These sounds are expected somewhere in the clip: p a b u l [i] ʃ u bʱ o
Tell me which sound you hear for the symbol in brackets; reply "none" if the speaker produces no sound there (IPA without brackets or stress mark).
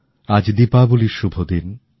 i